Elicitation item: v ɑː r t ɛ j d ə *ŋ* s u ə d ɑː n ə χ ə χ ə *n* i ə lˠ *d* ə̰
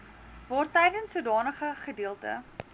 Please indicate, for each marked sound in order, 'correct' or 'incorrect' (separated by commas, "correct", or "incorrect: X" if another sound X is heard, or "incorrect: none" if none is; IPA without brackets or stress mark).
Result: incorrect: n, incorrect: d, incorrect: t